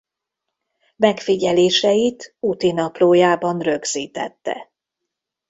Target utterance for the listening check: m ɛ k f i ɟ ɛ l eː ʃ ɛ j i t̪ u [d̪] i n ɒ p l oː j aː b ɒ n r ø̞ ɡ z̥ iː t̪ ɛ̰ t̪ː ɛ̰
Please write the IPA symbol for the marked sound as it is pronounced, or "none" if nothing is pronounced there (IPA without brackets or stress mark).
t̪